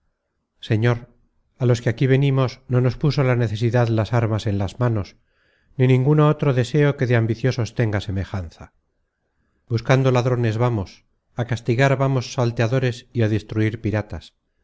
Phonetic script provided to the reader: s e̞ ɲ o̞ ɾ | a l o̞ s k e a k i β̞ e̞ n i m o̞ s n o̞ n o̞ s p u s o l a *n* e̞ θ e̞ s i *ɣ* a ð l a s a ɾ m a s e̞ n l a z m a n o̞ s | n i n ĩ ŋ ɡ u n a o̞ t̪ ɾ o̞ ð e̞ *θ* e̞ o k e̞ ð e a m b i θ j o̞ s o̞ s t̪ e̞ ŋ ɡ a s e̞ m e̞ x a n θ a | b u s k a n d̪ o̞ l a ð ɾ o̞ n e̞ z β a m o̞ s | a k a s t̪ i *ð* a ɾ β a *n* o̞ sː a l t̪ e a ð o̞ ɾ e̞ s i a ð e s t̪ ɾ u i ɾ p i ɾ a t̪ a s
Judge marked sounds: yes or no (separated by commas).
yes, no, no, no, no